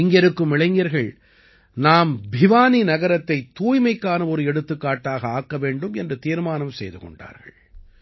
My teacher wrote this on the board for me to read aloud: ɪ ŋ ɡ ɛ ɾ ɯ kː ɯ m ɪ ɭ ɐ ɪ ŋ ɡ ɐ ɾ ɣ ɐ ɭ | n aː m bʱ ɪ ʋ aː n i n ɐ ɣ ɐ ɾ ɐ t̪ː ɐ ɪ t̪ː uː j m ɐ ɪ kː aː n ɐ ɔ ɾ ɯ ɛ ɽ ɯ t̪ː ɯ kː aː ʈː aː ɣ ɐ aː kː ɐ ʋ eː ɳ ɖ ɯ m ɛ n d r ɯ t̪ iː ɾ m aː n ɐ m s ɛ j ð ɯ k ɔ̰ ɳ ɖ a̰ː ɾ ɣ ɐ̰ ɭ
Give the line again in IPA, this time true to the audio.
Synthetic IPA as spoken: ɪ ŋ ɡ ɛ ɾ ɯ kː ɯ m ɪ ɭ ɐ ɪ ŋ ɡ ɐ ɾ ɣ ɐ ɭ | n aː m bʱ ɪ ʋ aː n i n ɐ ɣ ɐ ɾ ɐ t̪ː ɐ ɪ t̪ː uː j m ɐ ɪ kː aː n ɐ ɔ ɾ ɯ ɛ ɽ ɯ t̪ː ɯ kː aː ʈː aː ɣ ɐ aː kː ɐ ʋ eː ɳ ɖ ɯ m ɛ n d r ɯ t̪ iː ɾ m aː n ɐ m s ɛ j ð ɯ k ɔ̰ ɳ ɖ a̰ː ɾ ɣ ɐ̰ ɭ